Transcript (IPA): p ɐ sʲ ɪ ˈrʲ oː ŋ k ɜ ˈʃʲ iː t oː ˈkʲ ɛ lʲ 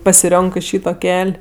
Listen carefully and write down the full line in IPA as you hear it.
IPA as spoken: p ɐ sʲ ɪ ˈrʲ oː ŋ k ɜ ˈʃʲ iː t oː ˈkʲ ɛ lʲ